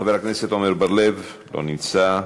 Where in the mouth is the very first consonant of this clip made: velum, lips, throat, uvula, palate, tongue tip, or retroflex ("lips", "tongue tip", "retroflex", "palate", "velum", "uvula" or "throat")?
lips